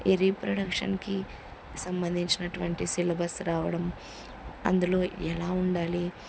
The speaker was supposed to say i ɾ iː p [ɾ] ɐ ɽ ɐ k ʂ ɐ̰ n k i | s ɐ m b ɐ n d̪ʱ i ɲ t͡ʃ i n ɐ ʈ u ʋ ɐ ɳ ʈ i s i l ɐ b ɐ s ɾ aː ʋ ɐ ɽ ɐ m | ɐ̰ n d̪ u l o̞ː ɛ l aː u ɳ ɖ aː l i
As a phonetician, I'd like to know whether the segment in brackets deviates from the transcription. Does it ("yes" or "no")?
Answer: no